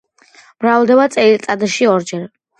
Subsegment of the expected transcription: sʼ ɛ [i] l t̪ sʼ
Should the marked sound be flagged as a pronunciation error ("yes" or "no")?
no